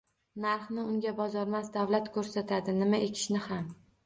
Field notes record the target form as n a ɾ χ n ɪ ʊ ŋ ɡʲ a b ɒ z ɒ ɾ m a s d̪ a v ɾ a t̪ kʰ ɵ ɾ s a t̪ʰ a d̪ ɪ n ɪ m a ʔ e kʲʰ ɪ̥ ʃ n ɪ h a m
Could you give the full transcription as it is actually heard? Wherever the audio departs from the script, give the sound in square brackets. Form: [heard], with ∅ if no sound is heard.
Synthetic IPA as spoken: n a ɾ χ n ɪ ʊ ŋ ɡʲ a b ɒ z ɒ ɾ m a s d̪ a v [l] a t̪ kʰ ɵ ɾ s a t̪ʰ a d̪ ɪ n ɪ m a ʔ e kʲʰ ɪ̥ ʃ n ɪ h a m